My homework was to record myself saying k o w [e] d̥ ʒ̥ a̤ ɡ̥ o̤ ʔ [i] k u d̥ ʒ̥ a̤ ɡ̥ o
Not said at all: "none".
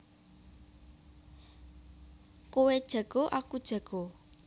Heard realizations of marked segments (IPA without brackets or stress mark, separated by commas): e, a